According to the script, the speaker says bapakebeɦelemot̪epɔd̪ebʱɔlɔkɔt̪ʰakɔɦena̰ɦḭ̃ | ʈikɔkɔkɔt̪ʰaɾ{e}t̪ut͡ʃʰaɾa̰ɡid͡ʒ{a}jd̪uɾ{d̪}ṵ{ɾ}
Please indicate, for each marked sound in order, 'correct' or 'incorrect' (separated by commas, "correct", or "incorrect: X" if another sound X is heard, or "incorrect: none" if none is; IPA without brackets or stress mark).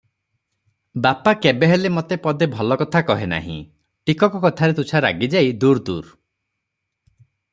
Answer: correct, correct, correct, correct